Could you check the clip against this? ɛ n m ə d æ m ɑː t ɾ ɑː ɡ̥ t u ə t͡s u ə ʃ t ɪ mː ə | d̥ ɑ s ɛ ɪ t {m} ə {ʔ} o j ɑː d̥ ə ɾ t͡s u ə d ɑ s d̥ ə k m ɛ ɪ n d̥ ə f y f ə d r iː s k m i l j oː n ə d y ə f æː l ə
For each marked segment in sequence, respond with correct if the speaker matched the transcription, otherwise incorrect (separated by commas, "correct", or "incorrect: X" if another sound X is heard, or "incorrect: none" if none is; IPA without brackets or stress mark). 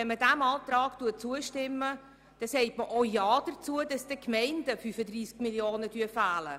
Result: correct, correct